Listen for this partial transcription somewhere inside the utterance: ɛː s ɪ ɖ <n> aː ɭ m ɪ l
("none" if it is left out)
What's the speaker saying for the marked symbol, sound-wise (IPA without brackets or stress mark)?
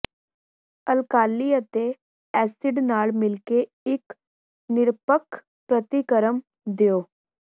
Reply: n